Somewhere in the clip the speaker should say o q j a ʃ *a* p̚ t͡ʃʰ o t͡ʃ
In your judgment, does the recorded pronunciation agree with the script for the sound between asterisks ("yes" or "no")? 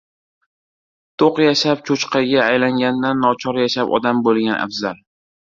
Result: yes